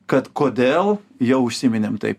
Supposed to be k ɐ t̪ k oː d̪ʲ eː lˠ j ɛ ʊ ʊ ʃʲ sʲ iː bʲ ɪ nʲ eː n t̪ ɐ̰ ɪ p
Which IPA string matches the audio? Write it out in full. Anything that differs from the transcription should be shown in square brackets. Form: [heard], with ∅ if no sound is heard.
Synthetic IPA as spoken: k ɐ t̪ k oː d̪ʲ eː lˠ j ɛ ʊ ʊ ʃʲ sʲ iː [mʲ] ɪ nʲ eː [m] t̪ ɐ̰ ɪ p